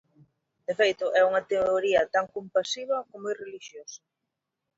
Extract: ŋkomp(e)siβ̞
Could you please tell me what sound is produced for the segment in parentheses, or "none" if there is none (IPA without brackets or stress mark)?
a